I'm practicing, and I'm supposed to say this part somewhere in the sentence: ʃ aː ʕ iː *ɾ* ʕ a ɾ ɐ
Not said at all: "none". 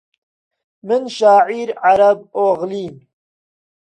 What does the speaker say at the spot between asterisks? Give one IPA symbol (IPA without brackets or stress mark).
ɾ